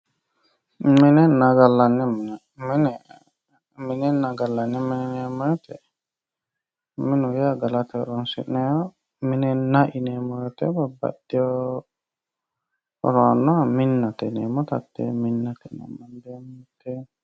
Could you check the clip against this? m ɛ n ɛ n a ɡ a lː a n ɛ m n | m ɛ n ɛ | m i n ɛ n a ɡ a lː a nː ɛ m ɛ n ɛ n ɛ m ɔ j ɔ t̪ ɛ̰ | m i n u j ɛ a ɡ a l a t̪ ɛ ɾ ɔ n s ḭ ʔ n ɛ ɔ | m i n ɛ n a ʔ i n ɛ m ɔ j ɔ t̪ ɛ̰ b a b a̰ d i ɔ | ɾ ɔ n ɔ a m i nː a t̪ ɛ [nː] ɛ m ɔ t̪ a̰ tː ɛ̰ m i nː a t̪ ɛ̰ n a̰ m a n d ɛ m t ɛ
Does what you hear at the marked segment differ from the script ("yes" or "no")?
yes